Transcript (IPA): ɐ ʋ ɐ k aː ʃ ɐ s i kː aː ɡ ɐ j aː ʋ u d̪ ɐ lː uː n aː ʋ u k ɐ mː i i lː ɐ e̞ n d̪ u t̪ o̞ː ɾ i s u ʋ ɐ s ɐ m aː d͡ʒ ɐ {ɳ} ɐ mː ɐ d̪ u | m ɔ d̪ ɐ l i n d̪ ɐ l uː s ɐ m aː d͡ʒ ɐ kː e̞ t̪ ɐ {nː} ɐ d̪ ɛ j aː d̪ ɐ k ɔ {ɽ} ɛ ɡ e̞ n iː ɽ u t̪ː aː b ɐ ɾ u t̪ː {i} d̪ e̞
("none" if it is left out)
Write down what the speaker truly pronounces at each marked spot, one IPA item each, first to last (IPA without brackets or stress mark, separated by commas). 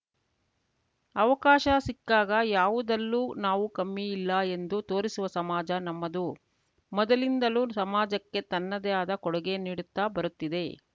n, nː, ɽ, i